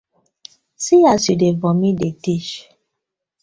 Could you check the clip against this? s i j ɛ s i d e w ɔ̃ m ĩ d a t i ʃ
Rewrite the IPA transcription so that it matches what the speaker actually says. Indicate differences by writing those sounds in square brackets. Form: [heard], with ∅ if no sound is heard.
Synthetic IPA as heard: s i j [a] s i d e [v] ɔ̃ m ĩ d [e] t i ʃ